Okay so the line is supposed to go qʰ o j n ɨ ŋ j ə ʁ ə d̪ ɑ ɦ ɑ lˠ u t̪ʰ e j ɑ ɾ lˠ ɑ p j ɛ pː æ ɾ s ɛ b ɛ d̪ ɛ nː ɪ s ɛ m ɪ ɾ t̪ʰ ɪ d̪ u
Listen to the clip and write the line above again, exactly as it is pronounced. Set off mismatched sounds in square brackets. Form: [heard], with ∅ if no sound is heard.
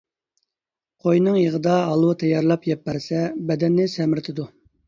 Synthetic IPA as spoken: qʰ o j n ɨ ŋ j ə ʁ ə d̪ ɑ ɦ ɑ lˠ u t̪ʰ [ɛ] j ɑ ɾ lˠ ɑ p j ɛ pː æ ɾ s ɛ b ɛ d̪ ɛ nː ɪ s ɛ m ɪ ɾ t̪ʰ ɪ d̪ u